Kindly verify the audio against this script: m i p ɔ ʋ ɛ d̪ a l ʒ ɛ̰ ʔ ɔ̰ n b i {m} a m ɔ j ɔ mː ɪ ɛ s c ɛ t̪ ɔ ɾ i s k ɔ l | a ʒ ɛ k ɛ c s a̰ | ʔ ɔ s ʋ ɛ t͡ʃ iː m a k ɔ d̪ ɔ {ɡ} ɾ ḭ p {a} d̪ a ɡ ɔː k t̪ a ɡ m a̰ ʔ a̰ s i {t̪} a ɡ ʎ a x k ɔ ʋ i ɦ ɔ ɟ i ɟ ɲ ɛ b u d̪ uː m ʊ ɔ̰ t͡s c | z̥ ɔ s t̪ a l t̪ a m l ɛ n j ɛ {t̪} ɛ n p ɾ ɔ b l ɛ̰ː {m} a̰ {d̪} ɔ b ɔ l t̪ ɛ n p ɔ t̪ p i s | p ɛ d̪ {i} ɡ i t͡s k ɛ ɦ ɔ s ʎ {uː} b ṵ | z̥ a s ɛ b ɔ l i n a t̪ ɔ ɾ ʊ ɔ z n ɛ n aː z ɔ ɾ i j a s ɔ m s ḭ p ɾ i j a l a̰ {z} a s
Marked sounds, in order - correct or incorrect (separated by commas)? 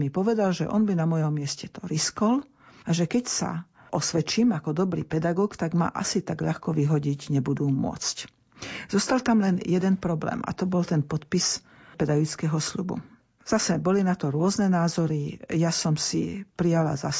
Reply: incorrect, incorrect, incorrect, correct, incorrect, correct, incorrect, incorrect, incorrect, correct